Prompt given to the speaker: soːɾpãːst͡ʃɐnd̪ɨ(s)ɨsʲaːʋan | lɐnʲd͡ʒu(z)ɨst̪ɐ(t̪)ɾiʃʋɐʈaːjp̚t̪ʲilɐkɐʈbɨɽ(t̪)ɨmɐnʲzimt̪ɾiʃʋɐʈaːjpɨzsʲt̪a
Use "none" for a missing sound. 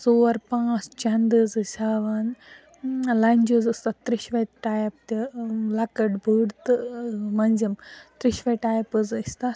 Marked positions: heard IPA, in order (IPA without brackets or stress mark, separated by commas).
z, z, t̪, t̪